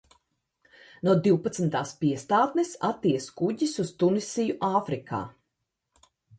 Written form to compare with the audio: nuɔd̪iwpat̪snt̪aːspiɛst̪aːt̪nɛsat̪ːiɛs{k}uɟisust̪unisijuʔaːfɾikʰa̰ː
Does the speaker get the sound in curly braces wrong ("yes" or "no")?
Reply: no